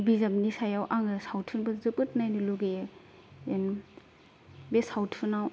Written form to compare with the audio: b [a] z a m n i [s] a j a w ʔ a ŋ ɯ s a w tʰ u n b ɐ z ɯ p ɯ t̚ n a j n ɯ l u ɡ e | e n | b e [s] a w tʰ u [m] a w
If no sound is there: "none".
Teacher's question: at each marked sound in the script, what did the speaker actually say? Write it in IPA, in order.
i, s, s, n

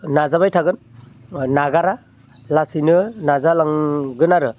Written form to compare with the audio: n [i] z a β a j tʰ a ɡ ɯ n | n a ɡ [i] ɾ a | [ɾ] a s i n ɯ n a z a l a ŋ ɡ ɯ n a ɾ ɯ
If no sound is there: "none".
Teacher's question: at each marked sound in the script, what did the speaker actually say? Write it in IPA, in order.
a, a, l

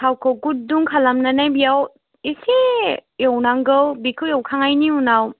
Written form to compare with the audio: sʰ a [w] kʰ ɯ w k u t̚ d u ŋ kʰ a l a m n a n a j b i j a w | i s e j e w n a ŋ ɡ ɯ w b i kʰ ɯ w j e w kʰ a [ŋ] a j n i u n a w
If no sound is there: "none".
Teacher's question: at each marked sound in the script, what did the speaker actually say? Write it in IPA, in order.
w, ŋ

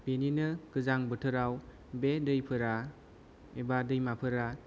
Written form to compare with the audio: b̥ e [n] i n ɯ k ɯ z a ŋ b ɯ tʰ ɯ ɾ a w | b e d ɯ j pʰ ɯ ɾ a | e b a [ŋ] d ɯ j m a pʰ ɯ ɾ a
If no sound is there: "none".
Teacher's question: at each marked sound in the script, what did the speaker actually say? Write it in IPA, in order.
n, none

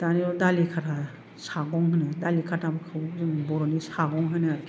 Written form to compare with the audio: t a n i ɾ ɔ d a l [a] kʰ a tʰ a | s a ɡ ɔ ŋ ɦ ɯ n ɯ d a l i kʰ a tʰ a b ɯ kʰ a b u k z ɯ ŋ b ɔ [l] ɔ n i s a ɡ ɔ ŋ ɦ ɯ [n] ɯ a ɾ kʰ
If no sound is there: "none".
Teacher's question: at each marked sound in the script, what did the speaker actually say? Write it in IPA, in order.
i, ɾ, n

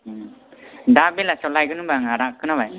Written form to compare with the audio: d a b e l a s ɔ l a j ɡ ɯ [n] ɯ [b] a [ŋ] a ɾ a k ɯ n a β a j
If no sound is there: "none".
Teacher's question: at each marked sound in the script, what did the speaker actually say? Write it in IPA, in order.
n, b, ŋ

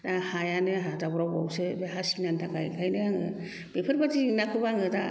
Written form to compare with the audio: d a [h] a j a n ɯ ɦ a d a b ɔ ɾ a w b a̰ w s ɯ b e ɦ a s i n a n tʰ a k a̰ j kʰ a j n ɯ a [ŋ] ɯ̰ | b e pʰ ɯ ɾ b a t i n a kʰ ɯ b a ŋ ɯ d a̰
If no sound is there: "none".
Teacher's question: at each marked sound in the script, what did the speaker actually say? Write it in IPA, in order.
h, ŋ

